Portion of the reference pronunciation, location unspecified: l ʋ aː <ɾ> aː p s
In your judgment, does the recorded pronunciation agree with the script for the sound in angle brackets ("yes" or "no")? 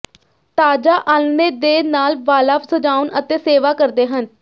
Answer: no